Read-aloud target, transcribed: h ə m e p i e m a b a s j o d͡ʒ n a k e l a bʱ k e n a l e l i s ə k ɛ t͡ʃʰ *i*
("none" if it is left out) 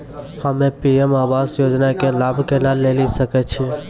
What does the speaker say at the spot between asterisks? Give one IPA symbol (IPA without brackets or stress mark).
i